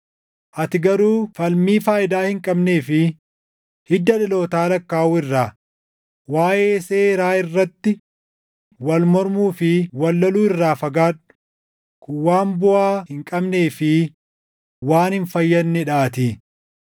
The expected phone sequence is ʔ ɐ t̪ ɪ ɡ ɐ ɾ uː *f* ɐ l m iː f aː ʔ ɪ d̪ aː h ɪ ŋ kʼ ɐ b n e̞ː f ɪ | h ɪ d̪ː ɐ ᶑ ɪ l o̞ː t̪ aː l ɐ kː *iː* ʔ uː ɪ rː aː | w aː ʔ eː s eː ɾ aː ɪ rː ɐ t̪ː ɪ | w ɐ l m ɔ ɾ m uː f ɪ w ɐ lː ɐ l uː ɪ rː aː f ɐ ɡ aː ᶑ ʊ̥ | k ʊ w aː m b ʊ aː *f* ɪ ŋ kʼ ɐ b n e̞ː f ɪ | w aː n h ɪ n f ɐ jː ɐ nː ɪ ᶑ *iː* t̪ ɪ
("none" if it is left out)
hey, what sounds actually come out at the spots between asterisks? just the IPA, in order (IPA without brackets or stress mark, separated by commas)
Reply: f, aː, h, aː